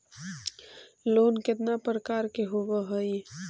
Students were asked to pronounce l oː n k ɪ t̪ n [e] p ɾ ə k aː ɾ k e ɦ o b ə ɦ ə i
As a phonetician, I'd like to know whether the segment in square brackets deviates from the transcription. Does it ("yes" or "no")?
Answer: yes